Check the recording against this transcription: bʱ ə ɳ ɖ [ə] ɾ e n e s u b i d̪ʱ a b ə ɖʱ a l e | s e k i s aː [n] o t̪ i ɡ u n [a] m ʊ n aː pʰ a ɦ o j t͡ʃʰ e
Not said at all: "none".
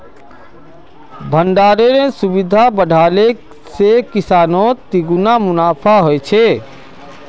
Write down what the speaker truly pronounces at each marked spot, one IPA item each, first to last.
a, n, a

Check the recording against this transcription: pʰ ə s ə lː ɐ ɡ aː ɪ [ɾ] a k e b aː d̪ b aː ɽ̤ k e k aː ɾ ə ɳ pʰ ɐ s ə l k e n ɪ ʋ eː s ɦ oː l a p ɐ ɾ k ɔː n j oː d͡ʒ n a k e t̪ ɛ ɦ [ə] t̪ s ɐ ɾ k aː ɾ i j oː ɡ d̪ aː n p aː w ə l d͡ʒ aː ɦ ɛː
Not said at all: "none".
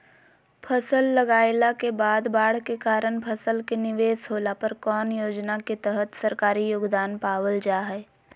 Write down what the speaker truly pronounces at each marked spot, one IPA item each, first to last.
l, ə

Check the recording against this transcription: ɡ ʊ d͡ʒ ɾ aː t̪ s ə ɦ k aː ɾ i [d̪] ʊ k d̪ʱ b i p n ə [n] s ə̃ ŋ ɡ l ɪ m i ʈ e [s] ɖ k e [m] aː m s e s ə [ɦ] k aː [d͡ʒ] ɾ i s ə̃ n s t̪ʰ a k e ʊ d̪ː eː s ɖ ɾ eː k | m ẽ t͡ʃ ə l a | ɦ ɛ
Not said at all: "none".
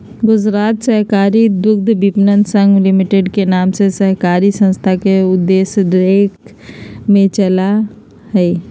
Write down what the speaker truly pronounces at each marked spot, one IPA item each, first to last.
d̪, n, none, n, ɦ, none

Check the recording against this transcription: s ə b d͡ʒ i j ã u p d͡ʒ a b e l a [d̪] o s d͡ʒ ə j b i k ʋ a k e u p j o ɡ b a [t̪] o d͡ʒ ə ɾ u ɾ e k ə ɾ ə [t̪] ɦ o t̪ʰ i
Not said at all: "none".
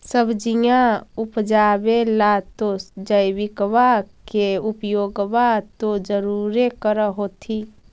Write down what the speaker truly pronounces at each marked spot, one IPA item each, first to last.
t̪, t̪, none

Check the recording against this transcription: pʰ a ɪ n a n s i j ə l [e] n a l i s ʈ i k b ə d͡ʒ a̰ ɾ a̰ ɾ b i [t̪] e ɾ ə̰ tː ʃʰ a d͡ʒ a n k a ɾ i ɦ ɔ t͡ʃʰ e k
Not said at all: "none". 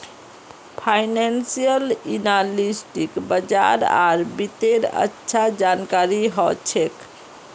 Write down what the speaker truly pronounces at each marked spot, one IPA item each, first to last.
i, t̪

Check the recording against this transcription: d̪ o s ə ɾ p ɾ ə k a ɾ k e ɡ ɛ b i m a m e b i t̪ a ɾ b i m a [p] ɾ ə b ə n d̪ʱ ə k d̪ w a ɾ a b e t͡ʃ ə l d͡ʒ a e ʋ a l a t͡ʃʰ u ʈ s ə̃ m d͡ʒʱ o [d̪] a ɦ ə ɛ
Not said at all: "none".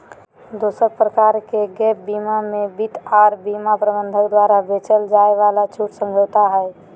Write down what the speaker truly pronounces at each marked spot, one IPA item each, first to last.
p, t̪

